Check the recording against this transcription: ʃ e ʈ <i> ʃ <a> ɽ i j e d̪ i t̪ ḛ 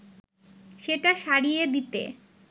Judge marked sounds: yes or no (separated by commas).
no, yes